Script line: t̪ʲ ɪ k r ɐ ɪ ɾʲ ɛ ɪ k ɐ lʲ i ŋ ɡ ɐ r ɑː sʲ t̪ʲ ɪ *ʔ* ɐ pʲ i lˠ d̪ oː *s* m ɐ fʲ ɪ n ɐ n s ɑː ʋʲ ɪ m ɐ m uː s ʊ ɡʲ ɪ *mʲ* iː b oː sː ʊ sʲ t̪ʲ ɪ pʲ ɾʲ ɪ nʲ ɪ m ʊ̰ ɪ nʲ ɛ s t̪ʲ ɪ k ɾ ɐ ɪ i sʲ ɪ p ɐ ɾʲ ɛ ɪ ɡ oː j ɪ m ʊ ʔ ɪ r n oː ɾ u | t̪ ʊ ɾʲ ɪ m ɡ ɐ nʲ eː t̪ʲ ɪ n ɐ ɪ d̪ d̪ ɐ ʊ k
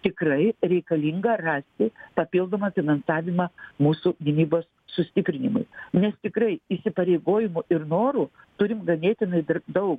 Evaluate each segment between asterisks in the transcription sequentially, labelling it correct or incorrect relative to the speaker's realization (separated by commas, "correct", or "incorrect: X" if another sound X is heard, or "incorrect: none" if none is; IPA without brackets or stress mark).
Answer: incorrect: p, incorrect: none, incorrect: nʲ